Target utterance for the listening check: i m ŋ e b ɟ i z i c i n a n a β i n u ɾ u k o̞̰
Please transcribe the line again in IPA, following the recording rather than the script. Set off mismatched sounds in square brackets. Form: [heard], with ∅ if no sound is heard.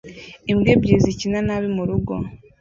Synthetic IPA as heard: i m [ɡ] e b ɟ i z i c i n a n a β i [m] u ɾ u [ɡ] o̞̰